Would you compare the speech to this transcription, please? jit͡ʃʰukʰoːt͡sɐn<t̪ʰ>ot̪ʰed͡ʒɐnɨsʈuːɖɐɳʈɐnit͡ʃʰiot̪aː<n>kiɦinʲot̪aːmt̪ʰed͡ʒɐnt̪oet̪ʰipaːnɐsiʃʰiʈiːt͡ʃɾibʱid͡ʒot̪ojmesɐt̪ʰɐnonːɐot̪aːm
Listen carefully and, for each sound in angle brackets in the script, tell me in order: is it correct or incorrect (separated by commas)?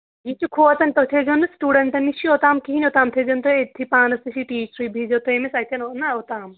incorrect, incorrect